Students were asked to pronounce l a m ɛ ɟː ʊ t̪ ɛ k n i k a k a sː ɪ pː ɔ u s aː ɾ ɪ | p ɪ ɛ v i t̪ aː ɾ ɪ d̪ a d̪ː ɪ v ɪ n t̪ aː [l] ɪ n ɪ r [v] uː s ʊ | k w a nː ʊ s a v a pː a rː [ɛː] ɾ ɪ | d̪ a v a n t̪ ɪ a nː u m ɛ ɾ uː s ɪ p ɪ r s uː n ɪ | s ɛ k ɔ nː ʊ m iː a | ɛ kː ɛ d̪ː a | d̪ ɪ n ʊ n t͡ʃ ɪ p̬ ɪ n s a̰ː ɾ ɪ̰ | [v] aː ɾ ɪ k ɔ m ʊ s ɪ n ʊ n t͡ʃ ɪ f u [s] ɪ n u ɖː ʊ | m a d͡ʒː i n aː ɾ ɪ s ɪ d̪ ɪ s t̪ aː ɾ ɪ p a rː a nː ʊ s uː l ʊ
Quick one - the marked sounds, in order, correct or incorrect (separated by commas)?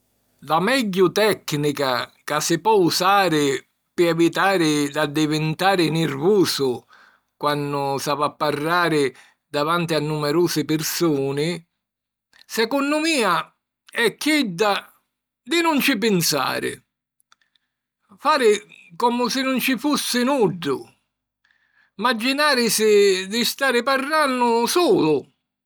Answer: incorrect, correct, incorrect, incorrect, incorrect